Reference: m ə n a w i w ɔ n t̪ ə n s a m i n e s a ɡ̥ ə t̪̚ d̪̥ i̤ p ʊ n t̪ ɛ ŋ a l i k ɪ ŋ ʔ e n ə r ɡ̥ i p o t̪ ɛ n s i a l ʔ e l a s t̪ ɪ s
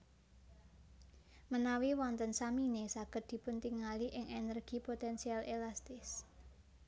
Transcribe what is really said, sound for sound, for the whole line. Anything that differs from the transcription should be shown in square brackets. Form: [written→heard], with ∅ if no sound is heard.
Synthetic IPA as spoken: m ə n a w i w ɔ n t̪ ə n s a m i n e s a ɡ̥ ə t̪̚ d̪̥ i̤ p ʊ n t̪ [ɛ→i] ŋ a l i [k→ʔ] ɪ ŋ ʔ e n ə r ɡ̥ i p o t̪ ɛ n s i a l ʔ e l a s t̪ ɪ s